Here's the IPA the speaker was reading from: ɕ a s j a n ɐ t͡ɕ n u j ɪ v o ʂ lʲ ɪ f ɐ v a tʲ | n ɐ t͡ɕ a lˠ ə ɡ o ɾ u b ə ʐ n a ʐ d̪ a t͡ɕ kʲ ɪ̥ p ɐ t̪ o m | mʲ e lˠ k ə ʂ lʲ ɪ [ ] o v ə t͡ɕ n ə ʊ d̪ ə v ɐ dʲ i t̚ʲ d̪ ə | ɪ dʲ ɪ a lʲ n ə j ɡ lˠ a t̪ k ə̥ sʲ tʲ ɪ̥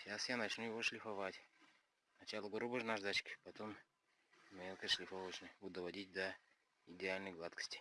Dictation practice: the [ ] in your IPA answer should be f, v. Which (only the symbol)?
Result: f